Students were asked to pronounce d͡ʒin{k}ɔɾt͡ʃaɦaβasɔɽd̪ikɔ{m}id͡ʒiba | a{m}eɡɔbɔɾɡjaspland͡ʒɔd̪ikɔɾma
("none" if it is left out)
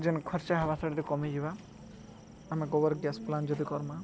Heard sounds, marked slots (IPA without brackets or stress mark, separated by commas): kʰ, m, m